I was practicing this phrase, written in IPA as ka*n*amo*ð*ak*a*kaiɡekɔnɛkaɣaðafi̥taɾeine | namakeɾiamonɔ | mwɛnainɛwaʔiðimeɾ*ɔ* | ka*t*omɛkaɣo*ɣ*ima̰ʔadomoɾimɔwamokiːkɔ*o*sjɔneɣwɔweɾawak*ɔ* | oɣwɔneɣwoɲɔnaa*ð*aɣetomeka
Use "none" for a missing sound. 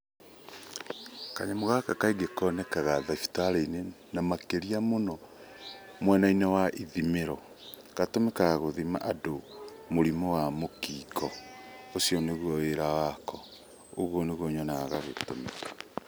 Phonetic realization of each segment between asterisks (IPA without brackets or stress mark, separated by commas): ɲ, ɣ, a, ɔ, t, ð, o, ɔ, ɣ